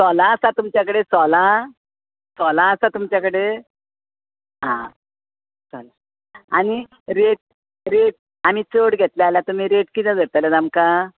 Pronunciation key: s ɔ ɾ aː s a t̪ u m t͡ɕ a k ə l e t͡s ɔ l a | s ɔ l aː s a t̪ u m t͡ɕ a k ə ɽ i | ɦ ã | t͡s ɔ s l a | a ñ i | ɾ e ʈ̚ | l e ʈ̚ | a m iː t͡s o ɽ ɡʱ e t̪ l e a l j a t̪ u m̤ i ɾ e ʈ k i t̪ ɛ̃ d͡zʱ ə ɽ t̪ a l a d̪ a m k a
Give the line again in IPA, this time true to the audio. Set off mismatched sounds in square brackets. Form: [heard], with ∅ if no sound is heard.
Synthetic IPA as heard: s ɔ [l] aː s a t̪ u m t͡ɕ a k ə [ɽ] e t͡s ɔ l a | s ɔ l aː s a t̪ u m t͡ɕ a k ə ɽ [e] | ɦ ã | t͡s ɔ [∅] l a | a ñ i | ɾ e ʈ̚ | [ɾ] e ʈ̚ | a m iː t͡s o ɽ ɡʱ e t̪ l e a l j a t̪ u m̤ i ɾ e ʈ k i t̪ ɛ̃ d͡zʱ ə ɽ t̪ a l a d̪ a m k a